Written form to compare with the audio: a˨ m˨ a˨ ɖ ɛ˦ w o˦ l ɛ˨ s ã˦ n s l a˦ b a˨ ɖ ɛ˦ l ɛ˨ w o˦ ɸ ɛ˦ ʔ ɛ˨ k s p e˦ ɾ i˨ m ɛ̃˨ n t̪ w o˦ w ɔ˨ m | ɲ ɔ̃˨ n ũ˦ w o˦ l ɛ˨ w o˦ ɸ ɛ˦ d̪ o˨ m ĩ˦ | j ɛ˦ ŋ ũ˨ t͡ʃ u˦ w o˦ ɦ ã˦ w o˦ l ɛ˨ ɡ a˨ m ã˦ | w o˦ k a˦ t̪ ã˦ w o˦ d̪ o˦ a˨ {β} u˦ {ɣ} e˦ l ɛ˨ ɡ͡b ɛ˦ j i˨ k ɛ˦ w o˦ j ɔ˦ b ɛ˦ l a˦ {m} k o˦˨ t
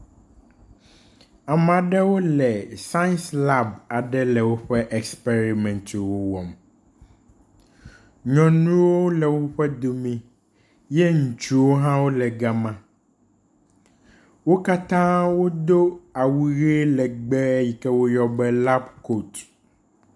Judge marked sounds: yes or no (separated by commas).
no, yes, no